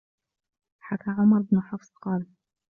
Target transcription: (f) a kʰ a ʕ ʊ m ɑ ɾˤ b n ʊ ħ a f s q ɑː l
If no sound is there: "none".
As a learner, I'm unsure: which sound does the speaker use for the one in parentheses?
ħ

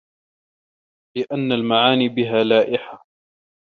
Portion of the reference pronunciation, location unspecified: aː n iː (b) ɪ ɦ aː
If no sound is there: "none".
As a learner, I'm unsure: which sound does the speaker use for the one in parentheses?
b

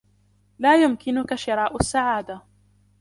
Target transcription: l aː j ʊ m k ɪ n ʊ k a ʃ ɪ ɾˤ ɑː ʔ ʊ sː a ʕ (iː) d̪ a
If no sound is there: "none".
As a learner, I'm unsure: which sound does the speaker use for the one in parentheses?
aː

